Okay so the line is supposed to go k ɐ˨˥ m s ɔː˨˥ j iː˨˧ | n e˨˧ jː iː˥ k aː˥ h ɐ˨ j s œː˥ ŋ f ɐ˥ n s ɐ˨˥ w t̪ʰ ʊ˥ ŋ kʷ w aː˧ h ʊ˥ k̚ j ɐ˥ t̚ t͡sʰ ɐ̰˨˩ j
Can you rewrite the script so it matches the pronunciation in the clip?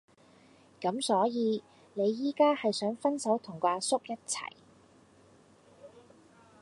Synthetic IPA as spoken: k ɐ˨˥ m s ɔː˨˥ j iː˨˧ | n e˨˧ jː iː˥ k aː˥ h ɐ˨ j s œː˨˥ ŋ f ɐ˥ n s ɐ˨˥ w t̪ʰ ʊ˨˩ ŋ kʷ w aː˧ s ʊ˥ k̚ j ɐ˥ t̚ t͡sʰ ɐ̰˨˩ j